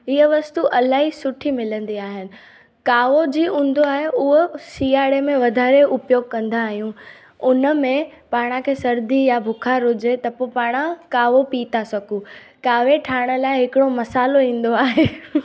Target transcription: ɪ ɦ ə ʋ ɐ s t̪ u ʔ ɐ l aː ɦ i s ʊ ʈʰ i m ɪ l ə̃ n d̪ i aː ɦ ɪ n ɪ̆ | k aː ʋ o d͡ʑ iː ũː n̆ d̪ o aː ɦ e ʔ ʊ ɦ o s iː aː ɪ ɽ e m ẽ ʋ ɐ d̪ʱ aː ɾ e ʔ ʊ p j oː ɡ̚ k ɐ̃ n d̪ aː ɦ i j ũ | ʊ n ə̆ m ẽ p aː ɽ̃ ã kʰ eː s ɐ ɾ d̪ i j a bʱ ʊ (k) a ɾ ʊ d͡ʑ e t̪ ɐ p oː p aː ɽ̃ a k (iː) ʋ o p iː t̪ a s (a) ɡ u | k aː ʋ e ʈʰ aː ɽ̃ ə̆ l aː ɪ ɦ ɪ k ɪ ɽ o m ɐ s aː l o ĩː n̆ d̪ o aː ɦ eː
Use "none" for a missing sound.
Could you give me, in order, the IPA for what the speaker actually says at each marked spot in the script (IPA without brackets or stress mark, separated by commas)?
kʰ, aː, ɐ